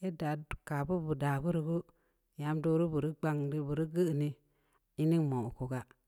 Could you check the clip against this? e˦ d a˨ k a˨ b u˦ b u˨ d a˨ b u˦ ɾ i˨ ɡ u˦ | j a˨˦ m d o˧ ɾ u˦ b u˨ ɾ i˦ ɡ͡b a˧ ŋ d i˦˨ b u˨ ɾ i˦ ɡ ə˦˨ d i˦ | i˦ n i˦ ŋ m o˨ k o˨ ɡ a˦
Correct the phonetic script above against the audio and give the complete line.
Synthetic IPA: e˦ d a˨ k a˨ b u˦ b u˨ d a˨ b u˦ ɾ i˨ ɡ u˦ | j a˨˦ m d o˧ ɾ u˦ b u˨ ɾ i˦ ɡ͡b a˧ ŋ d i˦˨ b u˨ ɾ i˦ ɡ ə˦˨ n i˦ | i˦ n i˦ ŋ m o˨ k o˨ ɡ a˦